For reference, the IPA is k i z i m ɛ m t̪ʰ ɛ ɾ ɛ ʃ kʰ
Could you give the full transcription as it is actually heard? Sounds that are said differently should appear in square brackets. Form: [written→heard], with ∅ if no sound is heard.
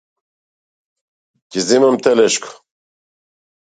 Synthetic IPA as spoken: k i z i m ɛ m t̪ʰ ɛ [ɾ→l] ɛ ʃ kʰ